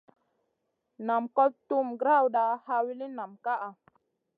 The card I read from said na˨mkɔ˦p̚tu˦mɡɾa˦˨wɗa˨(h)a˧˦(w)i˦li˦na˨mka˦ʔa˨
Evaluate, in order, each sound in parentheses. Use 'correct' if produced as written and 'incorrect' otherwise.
correct, correct

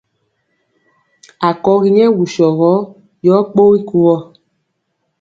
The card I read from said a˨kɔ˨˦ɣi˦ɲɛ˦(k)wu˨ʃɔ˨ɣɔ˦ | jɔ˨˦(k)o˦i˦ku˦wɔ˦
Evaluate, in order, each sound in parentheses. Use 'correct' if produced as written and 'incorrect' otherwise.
incorrect: none, incorrect: k͡p

